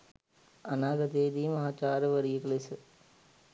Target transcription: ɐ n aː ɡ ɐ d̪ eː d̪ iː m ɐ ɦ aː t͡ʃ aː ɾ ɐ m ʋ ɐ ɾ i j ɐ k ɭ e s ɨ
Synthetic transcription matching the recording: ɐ n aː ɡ ɐ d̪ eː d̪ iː m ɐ ɦ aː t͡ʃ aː ɾ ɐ ʋ ɐ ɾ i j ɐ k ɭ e s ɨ